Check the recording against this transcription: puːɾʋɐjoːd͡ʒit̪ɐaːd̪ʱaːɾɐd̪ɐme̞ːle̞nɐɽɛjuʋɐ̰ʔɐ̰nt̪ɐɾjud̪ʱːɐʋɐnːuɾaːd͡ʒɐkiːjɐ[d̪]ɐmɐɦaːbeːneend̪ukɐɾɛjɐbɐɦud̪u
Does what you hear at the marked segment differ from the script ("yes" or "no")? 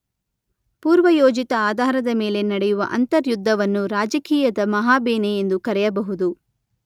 no